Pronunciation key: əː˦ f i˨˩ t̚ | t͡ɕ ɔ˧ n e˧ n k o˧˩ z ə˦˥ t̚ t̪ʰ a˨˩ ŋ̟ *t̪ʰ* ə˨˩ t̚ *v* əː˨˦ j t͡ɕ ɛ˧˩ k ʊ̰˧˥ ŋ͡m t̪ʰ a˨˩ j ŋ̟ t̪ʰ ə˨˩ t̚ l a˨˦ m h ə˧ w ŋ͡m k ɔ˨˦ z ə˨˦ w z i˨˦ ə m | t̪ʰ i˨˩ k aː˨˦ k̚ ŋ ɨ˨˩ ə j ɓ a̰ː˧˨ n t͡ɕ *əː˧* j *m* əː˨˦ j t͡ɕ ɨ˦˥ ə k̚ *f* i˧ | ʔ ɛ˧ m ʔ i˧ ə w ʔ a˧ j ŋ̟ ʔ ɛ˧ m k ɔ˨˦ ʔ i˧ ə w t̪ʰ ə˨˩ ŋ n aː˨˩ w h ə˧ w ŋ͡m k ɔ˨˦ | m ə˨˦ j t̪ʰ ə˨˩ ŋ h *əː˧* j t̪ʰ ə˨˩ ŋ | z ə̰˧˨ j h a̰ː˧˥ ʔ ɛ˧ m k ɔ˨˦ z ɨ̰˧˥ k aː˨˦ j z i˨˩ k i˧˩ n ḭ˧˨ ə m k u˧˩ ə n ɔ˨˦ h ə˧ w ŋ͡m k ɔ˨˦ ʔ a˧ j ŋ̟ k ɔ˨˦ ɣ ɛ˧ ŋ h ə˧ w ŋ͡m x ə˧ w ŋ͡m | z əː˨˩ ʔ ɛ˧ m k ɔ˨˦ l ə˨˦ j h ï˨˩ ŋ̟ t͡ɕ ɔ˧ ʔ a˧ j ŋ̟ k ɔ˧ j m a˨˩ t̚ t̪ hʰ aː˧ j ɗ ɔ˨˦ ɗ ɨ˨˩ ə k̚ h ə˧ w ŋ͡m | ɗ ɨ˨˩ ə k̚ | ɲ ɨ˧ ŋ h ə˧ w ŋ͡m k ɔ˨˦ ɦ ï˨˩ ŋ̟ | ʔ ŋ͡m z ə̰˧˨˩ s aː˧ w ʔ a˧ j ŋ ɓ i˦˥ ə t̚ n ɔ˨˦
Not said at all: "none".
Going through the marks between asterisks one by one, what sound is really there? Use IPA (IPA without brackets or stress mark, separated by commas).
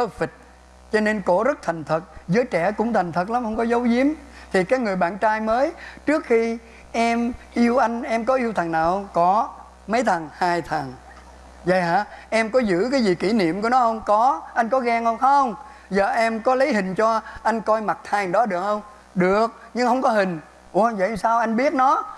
t̪ʰ, z, aː˧, m, x, aː˧